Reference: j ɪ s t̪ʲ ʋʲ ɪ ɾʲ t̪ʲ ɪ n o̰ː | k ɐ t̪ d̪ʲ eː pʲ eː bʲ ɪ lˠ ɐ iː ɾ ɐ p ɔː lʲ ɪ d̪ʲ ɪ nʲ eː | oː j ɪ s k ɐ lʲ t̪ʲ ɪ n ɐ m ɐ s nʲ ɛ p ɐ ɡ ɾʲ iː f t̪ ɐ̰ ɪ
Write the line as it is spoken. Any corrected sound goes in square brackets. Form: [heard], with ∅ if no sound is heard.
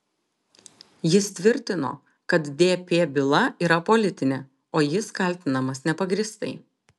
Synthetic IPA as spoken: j ɪ s t̪ʲ ʋʲ ɪ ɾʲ t̪ʲ ɪ n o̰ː | k ɐ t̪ d̪ʲ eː pʲ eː bʲ ɪ lˠ ɐ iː ɾ ɐ p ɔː lʲ ɪ [t̪ʲ] ɪ nʲ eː | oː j ɪ s k ɐ lʲ t̪ʲ ɪ n ɐ m ɐ s nʲ ɛ p ɐ ɡ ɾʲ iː [s] t̪ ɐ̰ ɪ